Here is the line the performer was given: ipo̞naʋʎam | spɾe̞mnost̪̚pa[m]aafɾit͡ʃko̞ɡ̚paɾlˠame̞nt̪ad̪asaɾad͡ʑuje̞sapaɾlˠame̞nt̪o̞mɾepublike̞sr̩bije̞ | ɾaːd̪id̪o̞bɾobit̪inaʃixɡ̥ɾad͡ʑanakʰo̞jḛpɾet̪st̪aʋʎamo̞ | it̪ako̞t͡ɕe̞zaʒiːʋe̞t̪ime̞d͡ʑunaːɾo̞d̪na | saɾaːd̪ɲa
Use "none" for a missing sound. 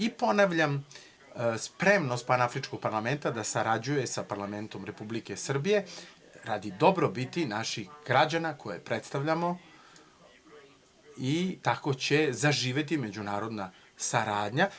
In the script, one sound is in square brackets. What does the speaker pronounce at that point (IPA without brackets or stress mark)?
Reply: n